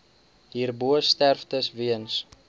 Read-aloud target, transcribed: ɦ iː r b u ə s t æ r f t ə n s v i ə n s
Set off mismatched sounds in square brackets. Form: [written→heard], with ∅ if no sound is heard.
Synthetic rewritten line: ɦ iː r b u ə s t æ r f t ə [n→∅] s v i ə n s